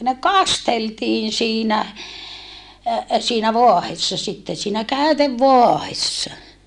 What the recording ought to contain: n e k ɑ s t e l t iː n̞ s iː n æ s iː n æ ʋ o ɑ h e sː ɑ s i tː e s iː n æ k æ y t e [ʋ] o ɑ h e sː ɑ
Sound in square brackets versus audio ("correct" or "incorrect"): incorrect